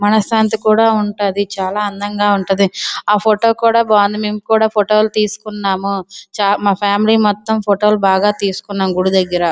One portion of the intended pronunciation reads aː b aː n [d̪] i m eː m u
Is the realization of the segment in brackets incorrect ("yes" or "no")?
no